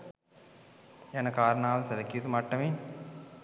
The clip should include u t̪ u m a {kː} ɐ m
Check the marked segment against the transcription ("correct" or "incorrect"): incorrect